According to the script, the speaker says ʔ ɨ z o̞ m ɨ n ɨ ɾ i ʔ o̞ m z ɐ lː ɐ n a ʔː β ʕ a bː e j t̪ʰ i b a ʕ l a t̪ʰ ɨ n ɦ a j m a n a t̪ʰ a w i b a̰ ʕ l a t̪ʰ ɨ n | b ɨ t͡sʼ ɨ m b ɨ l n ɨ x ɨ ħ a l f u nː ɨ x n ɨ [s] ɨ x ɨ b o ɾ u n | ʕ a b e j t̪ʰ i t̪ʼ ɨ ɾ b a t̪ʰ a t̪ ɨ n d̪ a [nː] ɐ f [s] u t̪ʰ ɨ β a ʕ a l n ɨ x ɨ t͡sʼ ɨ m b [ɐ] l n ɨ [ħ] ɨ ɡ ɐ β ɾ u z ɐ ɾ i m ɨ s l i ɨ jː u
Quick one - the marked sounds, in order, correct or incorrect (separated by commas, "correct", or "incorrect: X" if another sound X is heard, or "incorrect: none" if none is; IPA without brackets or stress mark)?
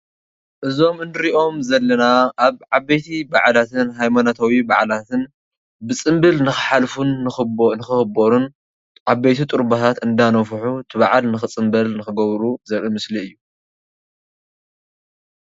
incorrect: x, incorrect: n, incorrect: ħ, correct, incorrect: x